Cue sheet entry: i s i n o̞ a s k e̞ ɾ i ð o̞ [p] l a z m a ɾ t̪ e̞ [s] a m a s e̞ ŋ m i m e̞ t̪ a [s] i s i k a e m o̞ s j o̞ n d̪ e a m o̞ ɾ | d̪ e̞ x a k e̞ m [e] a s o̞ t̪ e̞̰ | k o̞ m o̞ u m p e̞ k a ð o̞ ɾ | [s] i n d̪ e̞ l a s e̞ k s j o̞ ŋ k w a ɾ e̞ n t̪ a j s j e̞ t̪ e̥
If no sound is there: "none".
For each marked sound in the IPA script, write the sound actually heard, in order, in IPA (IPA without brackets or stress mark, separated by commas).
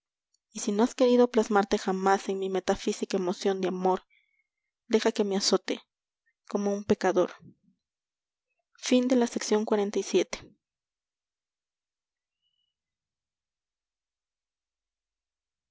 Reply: p, x, f, e, f